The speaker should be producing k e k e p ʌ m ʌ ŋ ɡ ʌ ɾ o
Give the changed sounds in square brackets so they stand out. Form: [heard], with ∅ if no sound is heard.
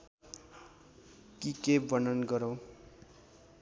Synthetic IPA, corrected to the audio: k [i] k e [b] ʌ [n] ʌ [n] ɡ ʌ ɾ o